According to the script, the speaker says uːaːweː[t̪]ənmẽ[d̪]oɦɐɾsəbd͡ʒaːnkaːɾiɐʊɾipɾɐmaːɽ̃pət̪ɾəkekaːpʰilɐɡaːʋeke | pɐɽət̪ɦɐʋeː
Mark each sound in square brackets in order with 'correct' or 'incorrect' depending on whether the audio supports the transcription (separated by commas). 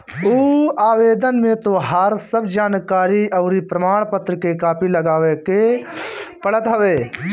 incorrect, incorrect